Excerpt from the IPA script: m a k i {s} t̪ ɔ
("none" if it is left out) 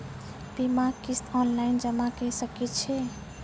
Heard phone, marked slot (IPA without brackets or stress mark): s